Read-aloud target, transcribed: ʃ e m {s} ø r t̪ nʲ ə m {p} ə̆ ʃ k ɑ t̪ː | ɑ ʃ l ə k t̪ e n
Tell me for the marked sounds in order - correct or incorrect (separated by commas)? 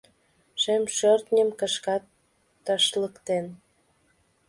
incorrect, incorrect